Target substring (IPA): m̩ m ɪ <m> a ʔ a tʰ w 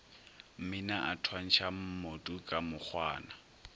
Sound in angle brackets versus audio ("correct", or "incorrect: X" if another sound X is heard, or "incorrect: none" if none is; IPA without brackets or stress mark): incorrect: n